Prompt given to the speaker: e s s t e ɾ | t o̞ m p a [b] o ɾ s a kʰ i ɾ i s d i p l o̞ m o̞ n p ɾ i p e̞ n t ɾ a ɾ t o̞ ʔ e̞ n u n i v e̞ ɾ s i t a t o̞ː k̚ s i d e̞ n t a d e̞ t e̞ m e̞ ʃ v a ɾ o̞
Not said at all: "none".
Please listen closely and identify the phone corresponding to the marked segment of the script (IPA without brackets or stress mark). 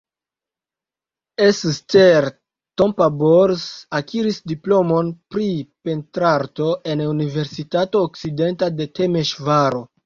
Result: b